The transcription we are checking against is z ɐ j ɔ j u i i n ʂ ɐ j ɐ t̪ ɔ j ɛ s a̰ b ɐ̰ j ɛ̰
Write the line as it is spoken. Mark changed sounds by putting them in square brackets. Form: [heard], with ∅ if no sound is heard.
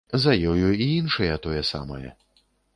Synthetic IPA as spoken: z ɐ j ɔ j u i i n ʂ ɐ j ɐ t̪ ɔ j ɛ s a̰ [m] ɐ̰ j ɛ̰